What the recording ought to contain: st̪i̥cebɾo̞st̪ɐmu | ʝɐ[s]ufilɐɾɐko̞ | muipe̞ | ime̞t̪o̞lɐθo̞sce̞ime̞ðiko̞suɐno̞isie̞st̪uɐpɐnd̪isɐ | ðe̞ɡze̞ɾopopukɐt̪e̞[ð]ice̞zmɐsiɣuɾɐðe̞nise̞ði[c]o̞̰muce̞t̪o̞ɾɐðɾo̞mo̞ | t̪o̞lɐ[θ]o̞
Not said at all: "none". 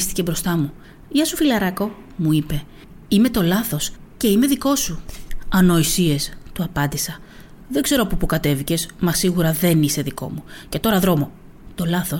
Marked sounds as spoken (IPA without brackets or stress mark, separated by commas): s, v, k, θ